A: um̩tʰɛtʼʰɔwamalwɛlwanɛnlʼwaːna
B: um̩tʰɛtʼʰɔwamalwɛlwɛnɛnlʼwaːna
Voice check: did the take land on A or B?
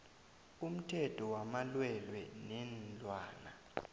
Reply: B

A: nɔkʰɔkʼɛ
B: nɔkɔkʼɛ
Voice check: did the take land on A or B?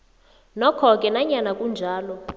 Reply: A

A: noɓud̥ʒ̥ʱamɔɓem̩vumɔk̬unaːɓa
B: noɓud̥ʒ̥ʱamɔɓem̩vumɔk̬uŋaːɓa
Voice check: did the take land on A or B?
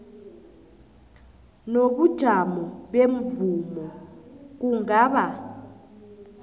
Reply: B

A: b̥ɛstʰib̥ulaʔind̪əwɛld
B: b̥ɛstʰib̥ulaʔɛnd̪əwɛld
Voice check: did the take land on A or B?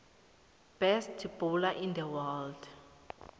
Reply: A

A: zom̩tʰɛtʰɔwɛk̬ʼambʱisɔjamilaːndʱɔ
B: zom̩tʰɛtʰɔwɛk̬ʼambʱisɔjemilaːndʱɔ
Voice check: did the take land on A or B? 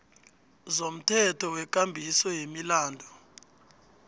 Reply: B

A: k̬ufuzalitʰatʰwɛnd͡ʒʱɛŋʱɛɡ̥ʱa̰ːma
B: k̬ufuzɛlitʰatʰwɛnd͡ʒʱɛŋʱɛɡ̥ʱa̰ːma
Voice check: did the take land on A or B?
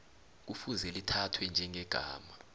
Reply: B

